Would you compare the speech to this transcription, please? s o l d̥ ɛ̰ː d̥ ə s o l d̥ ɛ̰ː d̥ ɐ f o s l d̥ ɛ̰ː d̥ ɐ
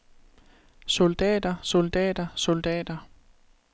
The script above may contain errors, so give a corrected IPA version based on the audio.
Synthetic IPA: s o l d̥ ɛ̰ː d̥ ɐ s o l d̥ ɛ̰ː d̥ ɐ s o l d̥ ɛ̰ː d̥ ɐ

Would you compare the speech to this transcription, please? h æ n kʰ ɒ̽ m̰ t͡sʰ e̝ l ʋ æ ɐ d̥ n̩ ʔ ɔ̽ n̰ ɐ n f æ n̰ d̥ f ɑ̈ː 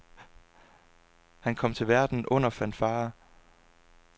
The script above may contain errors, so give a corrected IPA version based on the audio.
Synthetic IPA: h æ n kʰ ɒ̽ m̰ t͡sʰ e̝ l ʋ æ ɐ d̥ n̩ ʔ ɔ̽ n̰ ɐ f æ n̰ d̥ f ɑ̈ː

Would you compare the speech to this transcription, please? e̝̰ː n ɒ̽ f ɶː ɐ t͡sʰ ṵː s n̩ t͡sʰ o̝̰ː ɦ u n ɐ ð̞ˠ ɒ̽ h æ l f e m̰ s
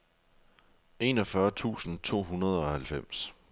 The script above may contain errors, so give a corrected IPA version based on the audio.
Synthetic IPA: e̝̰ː n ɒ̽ f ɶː ɐ t͡sʰ ṵː s n̩ t͡sʰ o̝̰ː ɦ u n ɐ ð̞ˠ ɒ̽ h æ l f e m̰ s

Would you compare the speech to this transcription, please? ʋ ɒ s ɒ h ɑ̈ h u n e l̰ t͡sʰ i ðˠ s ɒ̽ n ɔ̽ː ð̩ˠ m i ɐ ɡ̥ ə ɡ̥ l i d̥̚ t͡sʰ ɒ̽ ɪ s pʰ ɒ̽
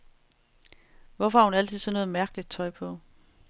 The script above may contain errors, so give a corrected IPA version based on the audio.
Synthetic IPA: ʋ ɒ f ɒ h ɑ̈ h u n æ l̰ t͡sʰ i ðˠ s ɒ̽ n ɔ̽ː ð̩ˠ m æ ɐ ɡ̥ ə l i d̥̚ t͡sʰ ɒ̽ ɪ pʰ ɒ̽

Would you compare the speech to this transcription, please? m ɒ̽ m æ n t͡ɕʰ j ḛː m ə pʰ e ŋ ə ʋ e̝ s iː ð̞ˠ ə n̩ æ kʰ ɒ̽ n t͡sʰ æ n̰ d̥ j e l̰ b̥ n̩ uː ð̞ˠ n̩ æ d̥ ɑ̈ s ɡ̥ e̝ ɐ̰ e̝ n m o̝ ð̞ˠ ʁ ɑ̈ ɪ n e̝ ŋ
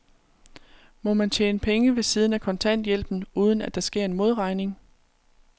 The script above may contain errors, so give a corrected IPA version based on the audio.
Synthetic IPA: m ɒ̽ m æ n t͡ɕʰ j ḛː n ə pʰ e ŋ ə ʋ e̝ s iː ð̞ˠ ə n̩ æ kʰ ɒ̽ n t͡sʰ æ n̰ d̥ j e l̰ b̥ n̩ uː ð̞ˠ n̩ æ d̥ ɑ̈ s ɡ̥ e̝ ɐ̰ e̝ n m o̝ ð̞ˠ ʁ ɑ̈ ɪ n e̝ ŋ

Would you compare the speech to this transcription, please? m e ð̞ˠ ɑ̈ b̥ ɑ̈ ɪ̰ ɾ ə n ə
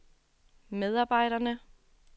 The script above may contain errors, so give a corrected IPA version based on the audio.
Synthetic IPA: m e ð̞ˠ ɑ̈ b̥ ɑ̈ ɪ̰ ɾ ɐ n ə

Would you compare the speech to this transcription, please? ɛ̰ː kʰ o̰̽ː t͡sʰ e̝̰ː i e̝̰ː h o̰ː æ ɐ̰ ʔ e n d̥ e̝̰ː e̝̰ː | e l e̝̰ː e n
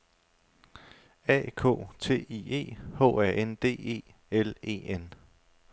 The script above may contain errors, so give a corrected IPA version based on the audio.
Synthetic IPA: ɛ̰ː kʰ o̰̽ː t͡sʰ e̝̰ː i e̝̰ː h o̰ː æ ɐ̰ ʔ e n d̥ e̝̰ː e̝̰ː | e l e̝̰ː e n

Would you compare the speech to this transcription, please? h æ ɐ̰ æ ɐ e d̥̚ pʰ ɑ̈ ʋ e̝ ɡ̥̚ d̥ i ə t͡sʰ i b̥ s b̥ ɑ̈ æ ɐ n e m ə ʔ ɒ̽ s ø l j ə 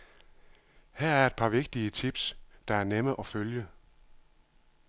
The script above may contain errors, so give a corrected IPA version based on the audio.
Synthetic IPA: h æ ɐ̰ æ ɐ e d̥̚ pʰ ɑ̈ ʋ e̝ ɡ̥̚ d̥ i ə t͡sʰ i b̥ s d̥ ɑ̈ æ ɐ n e m ə ʔ ɒ̽ f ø l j ə

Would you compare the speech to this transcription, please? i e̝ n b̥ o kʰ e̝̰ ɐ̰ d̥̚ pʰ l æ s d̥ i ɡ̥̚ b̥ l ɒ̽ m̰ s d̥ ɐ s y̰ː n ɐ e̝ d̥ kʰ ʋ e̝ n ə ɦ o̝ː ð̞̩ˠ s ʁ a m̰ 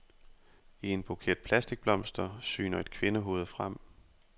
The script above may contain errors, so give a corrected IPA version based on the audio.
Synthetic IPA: i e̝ n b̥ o kʰ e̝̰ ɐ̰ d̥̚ pʰ l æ s d̥ i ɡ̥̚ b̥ l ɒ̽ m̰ s d̥ ɐ s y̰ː n ɐ e̝ d̥ kʰ ʋ e̝ n ə ɦ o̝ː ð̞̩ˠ f ʁ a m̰

